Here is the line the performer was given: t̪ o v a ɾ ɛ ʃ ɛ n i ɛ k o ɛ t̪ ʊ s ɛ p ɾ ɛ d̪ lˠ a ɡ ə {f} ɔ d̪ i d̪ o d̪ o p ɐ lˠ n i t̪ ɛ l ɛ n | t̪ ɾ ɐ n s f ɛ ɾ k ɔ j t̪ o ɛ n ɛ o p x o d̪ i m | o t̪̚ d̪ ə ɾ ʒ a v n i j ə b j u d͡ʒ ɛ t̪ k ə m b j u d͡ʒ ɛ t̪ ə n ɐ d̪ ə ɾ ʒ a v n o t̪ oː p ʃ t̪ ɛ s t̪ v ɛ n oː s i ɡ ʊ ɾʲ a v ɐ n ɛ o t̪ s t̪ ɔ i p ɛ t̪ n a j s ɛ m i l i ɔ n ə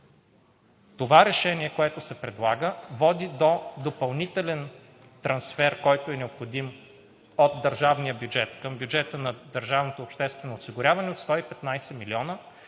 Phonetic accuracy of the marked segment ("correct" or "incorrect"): incorrect